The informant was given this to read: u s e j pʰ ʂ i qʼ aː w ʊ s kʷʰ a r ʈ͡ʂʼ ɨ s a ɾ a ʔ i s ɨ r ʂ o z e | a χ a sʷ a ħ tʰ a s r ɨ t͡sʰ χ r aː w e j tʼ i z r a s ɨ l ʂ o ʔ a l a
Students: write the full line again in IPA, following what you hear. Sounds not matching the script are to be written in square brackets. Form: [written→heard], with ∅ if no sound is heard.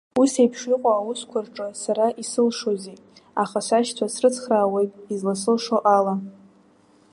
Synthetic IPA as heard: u s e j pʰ ʂ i qʼ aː w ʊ s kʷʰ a r ʈ͡ʂʼ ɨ s a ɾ a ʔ i s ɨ [r→l] ʂ o z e | a χ a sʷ a [ħ→ʃ] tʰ a s r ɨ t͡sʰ χ r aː w e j tʼ i z [r→l] a s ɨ l ʂ o ʔ a l a